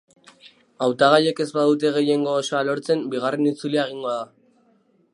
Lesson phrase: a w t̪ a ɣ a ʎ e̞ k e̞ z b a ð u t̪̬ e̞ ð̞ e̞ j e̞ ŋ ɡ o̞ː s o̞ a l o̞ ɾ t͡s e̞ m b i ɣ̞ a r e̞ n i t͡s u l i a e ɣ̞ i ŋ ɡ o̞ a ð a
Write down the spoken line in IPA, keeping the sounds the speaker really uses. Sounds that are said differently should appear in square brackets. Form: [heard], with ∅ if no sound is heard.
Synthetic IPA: a w t̪ a ɣ a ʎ e̞ k e̞ z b a ð u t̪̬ e̞ [ɣ̞] e̞ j e̞ ŋ ɡ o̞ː s o̞ a l o̞ ɾ t͡s e̞ m b i ɣ̞ a r e̞ n i t͡s u l i a e ɣ̞ i ŋ ɡ o̞ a ð a